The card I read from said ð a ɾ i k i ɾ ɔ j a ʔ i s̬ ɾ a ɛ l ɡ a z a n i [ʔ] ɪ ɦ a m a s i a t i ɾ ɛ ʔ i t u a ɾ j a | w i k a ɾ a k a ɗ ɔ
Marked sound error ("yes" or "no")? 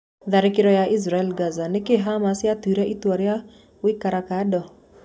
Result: yes